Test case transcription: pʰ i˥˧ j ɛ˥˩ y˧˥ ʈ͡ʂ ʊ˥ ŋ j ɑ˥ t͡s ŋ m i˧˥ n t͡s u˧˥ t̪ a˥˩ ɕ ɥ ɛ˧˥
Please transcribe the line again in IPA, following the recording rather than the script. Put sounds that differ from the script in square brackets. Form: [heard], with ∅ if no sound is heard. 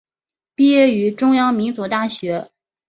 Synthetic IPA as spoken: [p] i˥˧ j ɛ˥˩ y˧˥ ʈ͡ʂ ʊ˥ ŋ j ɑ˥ [∅] ŋ m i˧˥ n t͡s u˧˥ t̪ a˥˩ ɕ ɥ ɛ˧˥